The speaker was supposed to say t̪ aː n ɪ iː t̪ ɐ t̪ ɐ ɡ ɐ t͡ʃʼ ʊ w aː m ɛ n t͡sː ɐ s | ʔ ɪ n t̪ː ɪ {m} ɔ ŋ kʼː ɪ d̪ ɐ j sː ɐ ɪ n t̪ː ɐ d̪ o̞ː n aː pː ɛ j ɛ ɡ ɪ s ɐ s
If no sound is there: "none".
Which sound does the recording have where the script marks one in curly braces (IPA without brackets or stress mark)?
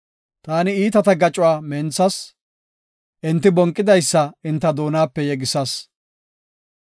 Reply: b